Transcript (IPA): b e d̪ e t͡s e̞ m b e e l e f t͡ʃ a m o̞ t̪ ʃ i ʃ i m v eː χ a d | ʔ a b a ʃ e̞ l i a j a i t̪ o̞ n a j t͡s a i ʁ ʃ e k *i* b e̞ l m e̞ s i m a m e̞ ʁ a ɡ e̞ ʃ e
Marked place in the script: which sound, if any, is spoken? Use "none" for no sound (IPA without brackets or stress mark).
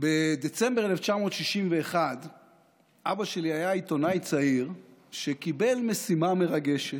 i